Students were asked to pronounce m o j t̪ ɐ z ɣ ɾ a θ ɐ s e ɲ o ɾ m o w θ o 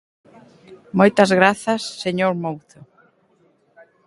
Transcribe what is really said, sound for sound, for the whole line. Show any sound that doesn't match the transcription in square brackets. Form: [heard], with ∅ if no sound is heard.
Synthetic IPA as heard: m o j t̪ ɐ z ɣ ɾ a θ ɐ [sː] e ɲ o ɾ m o w θ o